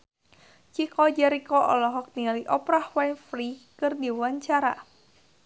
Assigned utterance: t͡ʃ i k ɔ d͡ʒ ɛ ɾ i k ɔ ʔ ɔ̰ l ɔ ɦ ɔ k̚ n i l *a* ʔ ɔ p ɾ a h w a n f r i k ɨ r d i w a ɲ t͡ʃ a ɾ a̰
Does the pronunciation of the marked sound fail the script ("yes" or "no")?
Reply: yes